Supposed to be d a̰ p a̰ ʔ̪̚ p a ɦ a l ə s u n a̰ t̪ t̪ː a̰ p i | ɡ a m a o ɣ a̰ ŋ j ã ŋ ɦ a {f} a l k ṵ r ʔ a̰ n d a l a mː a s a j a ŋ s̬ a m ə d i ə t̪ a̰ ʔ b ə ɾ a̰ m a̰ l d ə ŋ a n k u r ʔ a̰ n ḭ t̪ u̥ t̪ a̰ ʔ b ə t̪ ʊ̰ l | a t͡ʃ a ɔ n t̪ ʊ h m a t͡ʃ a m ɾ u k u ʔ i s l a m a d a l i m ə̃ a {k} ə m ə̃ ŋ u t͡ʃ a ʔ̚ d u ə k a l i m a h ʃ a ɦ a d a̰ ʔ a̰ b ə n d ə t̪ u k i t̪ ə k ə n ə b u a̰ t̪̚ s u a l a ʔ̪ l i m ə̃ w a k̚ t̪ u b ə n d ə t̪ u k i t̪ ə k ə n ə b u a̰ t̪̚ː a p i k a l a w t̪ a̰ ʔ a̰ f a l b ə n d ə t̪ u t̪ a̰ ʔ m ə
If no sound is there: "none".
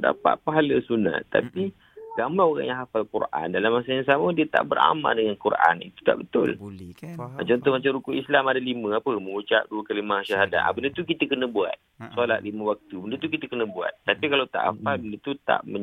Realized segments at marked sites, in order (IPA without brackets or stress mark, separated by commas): f, p